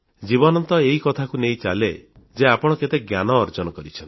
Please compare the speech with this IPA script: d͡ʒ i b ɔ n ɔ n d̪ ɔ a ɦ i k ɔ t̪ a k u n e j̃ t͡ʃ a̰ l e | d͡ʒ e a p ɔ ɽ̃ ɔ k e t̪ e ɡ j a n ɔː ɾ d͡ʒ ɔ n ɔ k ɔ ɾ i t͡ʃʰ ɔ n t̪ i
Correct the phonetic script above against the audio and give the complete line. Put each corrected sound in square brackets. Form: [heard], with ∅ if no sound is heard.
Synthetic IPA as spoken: d͡ʒ i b ɔ n ɔ n [t̪] ɔ [e] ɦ i k ɔ [t̪ʰ] a k u n e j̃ t͡ʃ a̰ l e | d͡ʒ e a p ɔ ɽ̃ ɔ k e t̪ e ɡ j a n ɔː ɾ d͡ʒ ɔ n ɔ k ɔ ɾ i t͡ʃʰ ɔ n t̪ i